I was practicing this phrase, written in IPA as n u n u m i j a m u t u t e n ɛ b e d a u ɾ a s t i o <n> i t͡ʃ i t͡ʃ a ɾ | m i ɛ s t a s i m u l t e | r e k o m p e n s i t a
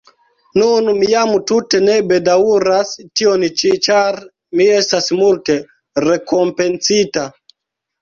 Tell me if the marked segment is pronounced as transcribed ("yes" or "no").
yes